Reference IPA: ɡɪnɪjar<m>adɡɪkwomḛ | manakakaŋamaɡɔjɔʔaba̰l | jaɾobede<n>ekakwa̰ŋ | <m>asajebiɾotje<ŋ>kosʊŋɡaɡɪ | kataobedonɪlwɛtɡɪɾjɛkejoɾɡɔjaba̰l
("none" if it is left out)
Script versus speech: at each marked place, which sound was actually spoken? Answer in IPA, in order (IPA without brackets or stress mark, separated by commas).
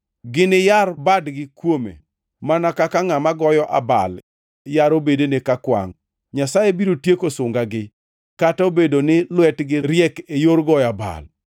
b, n, ɲ, none